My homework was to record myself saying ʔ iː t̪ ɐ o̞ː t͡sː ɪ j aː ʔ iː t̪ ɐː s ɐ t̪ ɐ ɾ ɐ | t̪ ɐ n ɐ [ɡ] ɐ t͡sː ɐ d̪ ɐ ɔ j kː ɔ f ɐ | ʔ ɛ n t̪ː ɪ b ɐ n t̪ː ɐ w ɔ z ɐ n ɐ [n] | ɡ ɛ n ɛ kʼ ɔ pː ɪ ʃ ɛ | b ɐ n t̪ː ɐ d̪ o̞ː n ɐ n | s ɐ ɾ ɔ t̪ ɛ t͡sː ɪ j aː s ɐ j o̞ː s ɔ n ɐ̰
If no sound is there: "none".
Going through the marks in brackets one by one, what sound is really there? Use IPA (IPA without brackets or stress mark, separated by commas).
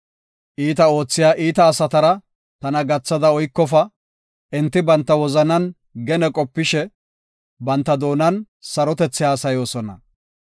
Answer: ɡ, n